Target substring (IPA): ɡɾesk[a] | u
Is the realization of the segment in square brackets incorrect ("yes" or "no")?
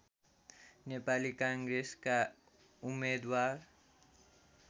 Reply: no